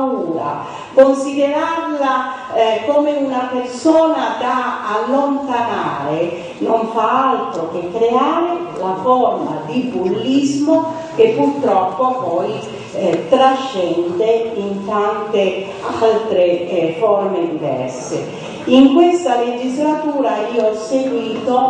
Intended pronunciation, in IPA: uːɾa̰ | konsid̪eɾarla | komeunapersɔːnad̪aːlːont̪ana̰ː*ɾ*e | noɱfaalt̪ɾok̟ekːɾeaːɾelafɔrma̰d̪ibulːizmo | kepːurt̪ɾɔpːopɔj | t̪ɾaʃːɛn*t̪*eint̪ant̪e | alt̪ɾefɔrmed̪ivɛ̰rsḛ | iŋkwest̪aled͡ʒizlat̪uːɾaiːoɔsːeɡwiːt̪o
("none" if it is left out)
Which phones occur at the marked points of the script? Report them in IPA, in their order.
ɾ, d̪

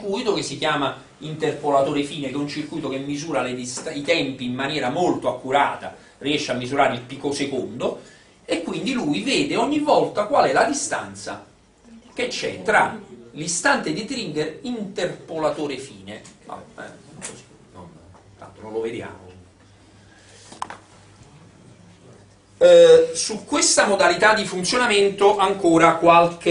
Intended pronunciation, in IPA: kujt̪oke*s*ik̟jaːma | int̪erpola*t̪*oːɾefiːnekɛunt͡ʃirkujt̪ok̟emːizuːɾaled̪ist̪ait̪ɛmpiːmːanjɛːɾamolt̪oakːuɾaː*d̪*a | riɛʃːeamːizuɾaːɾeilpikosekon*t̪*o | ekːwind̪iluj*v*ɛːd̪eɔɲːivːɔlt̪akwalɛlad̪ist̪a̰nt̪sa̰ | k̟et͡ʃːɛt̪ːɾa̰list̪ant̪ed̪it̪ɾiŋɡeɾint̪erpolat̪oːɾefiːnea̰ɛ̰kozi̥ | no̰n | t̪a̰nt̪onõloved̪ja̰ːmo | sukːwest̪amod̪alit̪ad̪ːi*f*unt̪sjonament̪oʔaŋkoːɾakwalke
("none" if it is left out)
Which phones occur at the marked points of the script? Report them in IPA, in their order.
sː, t̪, t̪, d̪, v, f

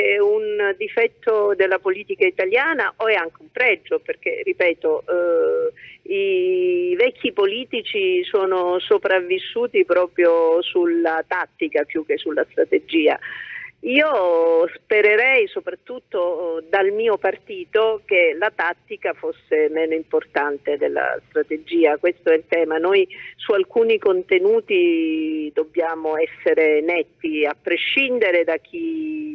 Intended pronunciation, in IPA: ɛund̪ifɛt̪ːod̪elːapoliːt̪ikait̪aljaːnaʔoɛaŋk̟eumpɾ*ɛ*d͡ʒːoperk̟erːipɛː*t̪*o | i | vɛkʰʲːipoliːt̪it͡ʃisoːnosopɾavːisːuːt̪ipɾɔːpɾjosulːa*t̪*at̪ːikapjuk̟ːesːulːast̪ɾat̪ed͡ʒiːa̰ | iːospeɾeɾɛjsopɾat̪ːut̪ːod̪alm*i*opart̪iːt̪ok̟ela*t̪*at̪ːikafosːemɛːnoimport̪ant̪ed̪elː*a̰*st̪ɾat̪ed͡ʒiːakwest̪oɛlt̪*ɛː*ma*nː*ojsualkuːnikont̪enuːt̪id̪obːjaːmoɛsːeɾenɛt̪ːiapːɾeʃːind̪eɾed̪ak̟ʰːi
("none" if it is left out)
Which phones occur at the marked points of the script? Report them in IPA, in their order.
ɛ, t̪, t̪, iː, t̪, a̰, ɛː, n

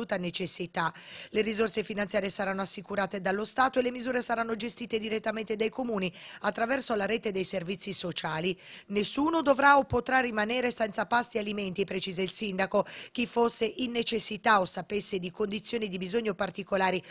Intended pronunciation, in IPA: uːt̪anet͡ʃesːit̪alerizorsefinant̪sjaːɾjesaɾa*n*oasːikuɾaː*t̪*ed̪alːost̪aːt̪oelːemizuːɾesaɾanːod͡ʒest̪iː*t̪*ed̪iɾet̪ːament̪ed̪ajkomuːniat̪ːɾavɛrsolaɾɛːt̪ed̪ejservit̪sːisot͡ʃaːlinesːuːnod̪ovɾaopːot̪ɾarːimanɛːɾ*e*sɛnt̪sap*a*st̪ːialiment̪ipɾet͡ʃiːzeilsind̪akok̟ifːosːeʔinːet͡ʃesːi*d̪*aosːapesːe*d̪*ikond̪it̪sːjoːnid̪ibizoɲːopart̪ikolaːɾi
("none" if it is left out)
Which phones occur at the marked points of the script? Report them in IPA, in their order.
nː, t̪, t̪, e, a, t̪, d̪

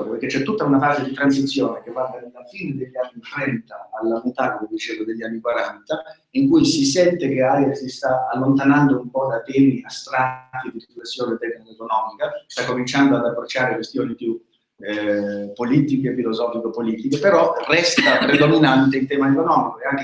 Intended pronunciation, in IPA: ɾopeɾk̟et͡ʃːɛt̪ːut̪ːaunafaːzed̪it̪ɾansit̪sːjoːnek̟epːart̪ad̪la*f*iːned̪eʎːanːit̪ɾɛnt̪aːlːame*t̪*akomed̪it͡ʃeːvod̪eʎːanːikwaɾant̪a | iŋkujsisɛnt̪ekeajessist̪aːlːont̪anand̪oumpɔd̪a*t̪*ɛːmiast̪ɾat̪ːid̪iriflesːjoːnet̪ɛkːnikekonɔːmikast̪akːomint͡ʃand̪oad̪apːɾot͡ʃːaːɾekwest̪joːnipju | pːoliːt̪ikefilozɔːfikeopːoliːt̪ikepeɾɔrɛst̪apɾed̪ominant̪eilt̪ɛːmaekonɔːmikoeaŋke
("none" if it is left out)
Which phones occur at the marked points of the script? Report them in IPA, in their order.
f, t̪, t̪

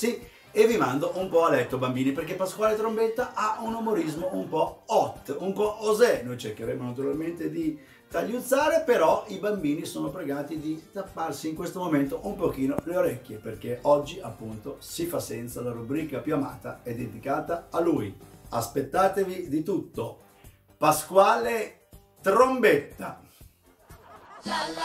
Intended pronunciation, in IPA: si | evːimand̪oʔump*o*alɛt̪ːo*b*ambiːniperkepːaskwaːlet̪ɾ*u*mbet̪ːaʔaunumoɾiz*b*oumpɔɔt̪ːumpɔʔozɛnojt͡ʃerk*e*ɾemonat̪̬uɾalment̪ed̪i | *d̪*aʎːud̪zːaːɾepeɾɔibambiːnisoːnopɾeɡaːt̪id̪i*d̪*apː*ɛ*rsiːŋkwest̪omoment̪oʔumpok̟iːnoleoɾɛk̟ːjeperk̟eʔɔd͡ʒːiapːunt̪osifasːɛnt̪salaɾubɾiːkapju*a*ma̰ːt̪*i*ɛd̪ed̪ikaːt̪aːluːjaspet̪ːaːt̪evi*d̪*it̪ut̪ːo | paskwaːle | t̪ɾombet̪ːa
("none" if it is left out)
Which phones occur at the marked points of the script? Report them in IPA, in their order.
ɔ, b, o, m, e, t̪, t̪, a, a, a, d̪

